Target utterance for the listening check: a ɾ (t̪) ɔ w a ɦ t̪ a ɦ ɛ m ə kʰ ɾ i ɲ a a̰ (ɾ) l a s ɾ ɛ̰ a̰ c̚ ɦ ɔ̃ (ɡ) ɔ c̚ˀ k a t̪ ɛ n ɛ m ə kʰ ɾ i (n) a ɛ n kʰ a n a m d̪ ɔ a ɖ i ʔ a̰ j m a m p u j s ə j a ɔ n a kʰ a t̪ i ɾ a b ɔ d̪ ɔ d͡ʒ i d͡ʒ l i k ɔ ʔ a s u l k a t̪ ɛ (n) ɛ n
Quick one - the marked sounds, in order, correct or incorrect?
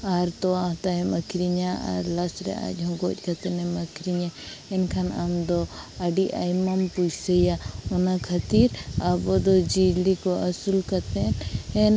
correct, correct, correct, incorrect, correct

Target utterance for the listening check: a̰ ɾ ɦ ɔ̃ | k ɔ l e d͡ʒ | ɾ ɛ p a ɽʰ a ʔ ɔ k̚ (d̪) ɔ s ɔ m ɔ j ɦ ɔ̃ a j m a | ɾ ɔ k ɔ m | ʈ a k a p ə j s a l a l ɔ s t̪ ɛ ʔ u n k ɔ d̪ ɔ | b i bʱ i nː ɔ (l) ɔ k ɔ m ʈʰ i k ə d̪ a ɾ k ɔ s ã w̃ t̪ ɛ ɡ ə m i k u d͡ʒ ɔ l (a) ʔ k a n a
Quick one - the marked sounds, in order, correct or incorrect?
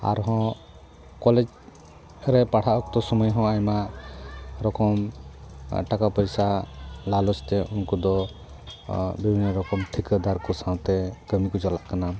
incorrect, incorrect, correct

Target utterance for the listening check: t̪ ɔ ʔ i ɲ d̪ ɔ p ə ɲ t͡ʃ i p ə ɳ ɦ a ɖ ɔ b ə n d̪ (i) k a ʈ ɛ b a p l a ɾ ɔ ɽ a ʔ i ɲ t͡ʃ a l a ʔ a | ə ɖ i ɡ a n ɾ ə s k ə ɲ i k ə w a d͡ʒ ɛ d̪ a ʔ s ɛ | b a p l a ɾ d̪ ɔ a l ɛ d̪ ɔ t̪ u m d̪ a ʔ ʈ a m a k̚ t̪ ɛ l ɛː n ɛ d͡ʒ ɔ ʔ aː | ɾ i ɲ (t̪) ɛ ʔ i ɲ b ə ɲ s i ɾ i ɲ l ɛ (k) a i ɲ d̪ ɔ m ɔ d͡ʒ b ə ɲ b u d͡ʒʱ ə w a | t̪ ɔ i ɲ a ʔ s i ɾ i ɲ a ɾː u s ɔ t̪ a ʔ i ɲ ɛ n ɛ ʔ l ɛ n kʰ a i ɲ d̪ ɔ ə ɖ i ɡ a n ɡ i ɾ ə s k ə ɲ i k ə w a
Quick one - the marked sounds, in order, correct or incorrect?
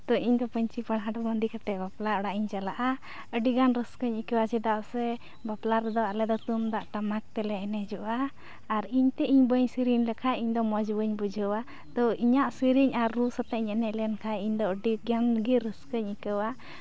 correct, correct, incorrect

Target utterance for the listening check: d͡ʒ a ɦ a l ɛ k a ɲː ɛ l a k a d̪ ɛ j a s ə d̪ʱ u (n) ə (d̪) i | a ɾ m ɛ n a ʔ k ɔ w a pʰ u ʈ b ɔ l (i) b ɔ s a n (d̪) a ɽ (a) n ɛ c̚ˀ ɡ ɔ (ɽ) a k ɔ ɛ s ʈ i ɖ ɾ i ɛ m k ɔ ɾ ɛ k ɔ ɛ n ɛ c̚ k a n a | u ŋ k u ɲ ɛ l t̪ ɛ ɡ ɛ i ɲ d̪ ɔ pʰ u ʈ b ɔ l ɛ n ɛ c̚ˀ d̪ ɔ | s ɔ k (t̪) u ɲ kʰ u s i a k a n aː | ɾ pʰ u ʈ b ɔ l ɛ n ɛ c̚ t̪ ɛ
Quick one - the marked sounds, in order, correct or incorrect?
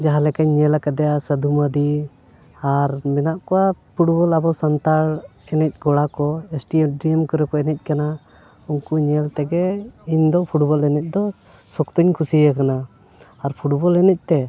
incorrect, correct, incorrect, incorrect, incorrect, correct, correct

